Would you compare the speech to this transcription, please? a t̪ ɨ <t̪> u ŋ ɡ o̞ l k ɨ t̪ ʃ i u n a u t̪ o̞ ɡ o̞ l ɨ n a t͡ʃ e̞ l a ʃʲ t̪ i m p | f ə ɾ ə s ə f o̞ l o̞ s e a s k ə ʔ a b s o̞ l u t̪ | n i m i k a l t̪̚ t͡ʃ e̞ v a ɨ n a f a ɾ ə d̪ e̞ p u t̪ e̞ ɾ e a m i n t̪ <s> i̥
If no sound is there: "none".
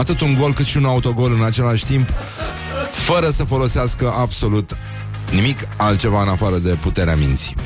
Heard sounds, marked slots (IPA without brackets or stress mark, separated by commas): t̪, s